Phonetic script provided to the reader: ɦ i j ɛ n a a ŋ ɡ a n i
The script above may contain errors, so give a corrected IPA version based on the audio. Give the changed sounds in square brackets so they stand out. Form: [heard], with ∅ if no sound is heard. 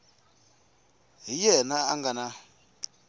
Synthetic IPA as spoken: ɦ i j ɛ n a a ŋ ɡ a n [a]